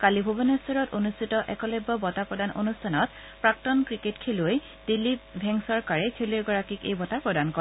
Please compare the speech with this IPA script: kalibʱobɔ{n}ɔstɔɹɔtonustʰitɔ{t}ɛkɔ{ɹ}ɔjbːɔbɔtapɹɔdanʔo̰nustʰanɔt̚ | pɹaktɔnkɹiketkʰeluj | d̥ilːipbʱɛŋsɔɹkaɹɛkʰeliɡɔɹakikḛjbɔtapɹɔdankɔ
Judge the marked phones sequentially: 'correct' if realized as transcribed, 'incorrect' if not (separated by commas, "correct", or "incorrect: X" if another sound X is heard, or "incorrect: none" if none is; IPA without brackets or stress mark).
correct, incorrect: ʔ, incorrect: l